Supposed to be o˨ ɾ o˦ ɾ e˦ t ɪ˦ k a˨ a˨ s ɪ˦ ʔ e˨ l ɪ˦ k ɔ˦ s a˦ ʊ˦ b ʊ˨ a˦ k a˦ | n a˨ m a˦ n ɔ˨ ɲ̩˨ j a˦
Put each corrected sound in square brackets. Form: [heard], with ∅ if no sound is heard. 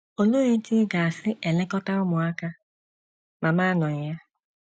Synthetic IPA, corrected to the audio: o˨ [l] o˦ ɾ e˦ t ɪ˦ [ɡ] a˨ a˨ s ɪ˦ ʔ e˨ l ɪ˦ k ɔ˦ [t] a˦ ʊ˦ [m] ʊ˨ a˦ k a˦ | [m] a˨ m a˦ n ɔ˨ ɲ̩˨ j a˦